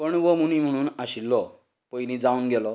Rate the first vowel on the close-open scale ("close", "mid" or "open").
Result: mid